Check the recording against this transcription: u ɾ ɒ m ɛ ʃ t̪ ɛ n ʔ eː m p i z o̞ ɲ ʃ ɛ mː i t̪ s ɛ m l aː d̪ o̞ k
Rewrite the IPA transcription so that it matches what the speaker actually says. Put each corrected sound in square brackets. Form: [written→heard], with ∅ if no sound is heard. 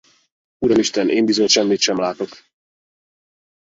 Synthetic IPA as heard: u ɾ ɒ m [ɛ→i] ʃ t̪ ɛ n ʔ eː m [p→b] i z o̞ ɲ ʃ ɛ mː i t̪ [s→ʃ] ɛ m l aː [d̪→t̪] o̞ k